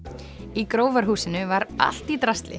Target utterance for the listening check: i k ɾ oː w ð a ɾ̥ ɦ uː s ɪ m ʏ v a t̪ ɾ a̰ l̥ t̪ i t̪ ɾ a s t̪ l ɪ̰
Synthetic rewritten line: i k ɾ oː w v a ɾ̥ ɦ uː s ɪ n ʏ v a ɾ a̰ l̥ t̪ i t̪ ɾ a s t̪ l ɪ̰